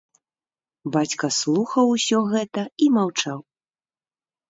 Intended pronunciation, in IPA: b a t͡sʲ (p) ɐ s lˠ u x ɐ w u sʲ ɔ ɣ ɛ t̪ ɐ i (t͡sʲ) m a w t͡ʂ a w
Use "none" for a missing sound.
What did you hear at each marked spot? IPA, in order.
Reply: k, none

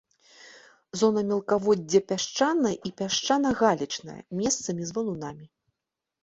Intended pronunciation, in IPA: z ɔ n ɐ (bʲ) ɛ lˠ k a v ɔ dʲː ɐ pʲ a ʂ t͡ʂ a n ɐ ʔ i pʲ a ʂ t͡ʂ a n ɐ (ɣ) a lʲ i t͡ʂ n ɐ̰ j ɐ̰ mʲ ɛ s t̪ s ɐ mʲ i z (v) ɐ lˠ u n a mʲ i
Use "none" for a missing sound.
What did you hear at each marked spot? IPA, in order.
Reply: mʲ, ɣ, v

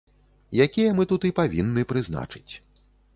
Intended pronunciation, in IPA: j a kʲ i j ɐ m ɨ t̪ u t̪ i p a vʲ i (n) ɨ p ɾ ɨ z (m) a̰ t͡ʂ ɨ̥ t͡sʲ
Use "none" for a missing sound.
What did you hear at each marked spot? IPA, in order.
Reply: nː, n

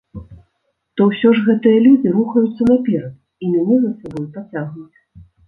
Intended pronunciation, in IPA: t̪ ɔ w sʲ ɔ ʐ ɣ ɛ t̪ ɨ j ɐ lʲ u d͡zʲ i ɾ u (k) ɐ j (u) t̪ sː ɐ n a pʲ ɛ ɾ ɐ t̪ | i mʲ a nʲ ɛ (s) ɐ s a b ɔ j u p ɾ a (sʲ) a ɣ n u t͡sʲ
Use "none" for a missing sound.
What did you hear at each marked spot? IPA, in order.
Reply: x, u, z, t͡sʲ

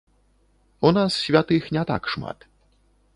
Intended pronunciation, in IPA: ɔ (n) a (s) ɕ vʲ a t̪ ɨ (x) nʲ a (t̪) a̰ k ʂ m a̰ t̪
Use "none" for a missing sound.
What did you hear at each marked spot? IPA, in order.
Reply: n, s, x, t̪

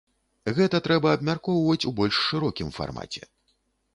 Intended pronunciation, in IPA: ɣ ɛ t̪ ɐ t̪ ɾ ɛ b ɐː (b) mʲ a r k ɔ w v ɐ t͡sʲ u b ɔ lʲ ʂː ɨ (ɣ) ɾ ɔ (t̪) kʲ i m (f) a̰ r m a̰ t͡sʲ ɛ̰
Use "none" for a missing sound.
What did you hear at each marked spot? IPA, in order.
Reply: b, none, none, f

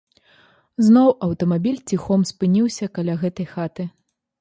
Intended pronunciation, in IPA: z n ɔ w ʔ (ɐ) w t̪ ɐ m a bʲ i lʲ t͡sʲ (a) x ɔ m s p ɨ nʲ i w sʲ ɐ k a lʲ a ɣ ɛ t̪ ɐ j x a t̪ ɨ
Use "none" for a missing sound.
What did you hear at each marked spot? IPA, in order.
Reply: ɐ, i

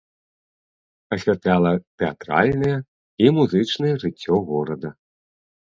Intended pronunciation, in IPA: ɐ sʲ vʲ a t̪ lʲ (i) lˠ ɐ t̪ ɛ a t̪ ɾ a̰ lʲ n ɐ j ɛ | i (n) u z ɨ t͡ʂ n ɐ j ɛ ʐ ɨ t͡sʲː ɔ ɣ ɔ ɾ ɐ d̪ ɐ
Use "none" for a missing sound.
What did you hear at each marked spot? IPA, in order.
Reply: a, m

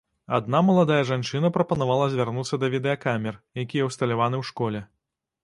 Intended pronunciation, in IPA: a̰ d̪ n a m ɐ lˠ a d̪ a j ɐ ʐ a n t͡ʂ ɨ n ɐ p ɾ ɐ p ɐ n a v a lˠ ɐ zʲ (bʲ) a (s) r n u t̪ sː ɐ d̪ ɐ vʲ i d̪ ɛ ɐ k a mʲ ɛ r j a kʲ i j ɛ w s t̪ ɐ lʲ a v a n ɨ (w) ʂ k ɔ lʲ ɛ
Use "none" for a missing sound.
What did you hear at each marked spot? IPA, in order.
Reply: vʲ, none, w

